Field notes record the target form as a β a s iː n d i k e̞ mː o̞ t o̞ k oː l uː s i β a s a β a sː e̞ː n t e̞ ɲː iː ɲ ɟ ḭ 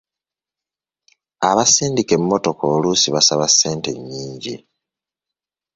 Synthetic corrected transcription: a β a s iː n d i k e̞ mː o̞ t o̞ k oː l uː s i β a s a β a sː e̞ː n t e̞ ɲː iː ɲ ɟ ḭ